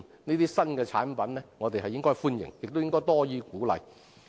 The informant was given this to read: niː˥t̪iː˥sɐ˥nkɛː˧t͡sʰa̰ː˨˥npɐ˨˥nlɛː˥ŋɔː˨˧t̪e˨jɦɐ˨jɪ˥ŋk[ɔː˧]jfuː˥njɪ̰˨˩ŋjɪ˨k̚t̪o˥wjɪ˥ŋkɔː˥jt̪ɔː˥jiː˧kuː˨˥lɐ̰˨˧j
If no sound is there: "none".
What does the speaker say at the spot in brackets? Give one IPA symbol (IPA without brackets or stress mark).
ɔː˥